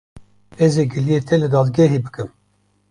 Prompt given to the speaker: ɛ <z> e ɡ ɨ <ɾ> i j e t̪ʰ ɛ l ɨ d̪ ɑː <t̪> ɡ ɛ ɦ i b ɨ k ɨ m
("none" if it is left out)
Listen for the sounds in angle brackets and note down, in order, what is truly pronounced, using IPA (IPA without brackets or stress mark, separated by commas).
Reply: z, l, d̪